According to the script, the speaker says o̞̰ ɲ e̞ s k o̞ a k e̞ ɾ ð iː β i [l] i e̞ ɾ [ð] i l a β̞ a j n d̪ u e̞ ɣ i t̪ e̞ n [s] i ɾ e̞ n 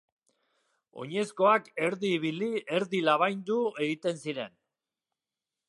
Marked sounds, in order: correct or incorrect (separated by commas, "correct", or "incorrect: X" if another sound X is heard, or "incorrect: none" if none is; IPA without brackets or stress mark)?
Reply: correct, correct, correct